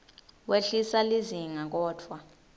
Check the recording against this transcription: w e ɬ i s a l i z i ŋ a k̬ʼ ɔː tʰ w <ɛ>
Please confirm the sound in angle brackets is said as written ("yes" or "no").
no